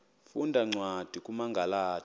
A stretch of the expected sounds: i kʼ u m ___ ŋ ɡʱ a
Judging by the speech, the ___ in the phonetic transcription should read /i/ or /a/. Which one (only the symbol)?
a